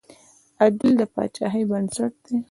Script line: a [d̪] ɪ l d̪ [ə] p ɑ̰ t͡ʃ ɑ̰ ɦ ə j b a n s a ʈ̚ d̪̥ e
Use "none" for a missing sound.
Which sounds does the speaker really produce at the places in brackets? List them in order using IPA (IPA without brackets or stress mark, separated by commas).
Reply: d̪, ə